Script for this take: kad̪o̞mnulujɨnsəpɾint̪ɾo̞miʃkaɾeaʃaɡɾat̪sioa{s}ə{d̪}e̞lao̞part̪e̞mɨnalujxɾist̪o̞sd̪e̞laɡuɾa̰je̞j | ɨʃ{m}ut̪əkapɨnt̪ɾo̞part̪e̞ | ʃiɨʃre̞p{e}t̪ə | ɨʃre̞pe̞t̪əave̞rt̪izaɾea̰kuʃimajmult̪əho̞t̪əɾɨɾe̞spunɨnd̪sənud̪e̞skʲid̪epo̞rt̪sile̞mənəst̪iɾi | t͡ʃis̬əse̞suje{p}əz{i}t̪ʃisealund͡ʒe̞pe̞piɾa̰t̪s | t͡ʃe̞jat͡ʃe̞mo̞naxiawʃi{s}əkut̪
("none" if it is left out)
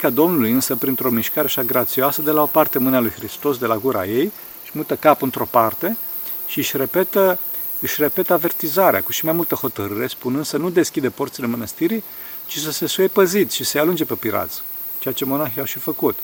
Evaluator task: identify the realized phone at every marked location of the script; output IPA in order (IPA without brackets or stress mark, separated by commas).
s, d̪, m, e, p, i, f